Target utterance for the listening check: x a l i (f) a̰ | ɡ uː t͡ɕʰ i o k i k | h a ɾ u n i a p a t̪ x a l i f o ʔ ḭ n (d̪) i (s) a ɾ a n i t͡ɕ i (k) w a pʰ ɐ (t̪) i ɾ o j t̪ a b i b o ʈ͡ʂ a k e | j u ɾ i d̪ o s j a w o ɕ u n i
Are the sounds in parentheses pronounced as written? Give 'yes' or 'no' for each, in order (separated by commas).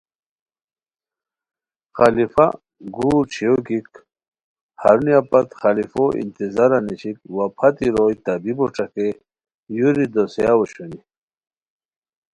yes, no, no, yes, yes